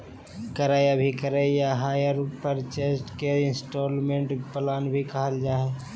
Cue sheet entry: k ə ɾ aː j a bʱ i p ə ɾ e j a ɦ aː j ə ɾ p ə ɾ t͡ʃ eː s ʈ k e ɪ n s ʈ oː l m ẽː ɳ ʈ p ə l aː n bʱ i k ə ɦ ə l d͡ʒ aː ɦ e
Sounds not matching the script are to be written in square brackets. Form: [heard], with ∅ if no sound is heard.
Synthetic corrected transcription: k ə ɾ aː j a bʱ i [k] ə ɾ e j a ɦ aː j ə ɾ p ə ɾ t͡ʃ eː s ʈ k e ɪ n s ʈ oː l m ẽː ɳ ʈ p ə l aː n bʱ i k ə ɦ ə l d͡ʒ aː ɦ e